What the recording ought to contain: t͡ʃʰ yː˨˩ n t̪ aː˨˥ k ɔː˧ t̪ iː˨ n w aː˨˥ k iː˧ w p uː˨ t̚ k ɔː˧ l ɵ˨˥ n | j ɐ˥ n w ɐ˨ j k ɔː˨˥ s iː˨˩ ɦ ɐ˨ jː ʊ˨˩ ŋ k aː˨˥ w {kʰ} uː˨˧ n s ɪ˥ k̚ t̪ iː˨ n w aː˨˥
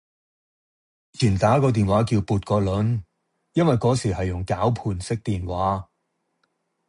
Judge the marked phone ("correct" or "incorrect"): incorrect